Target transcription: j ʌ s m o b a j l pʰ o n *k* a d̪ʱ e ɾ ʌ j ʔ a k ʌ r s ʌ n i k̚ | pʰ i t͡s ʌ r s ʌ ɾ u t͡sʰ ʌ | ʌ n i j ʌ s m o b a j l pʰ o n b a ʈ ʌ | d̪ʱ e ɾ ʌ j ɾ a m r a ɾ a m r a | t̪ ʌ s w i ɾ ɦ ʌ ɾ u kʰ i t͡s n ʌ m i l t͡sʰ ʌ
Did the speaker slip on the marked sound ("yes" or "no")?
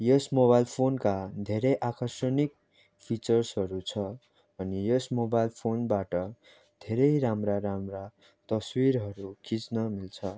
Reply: no